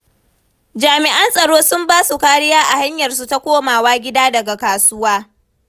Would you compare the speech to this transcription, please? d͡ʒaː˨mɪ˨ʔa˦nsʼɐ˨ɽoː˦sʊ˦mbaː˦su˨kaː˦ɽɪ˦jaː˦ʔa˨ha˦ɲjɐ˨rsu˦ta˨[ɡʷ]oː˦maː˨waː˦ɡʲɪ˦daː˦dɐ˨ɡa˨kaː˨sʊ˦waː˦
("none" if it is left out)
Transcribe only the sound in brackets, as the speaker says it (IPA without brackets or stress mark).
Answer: kʷ